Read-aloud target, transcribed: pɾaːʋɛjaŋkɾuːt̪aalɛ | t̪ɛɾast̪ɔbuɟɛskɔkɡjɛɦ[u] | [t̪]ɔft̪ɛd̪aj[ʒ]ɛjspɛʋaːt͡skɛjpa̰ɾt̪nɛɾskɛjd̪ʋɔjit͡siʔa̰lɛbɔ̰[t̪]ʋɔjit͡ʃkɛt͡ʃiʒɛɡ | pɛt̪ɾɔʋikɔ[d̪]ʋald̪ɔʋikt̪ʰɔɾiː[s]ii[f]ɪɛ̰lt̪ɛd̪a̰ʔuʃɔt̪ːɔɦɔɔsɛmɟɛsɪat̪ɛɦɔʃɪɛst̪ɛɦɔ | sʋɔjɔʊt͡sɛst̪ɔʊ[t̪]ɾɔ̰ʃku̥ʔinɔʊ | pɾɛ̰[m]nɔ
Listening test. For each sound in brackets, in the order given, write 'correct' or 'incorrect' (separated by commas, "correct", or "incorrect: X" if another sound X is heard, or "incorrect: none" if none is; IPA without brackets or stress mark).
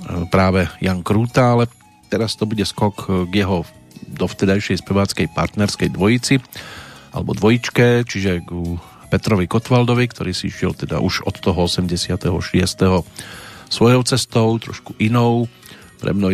incorrect: ɔ, incorrect: d̪, incorrect: ʃ, incorrect: d̪, incorrect: t̪, correct, incorrect: ʃ, correct, correct